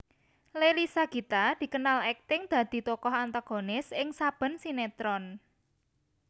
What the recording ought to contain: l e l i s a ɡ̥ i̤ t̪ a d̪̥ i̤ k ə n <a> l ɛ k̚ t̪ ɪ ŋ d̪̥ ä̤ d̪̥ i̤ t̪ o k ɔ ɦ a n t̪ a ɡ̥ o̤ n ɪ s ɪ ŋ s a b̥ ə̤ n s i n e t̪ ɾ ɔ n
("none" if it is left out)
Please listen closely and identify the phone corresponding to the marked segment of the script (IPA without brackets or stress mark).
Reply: a